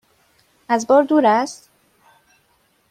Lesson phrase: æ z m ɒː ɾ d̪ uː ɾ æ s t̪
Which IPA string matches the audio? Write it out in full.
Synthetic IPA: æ z b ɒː ɾ d̪ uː ɾ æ s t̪